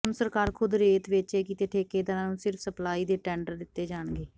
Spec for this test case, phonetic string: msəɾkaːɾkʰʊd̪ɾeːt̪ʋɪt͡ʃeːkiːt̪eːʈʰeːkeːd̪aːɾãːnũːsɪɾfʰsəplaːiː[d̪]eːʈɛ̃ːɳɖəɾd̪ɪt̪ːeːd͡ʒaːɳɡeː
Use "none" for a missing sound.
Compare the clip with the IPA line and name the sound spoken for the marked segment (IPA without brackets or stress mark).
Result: d̪